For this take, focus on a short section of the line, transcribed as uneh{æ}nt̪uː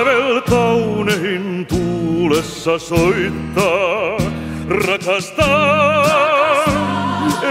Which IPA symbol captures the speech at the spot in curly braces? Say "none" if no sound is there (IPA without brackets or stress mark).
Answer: i